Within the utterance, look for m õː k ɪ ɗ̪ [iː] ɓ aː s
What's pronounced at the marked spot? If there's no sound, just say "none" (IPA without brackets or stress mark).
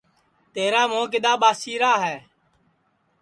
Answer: aː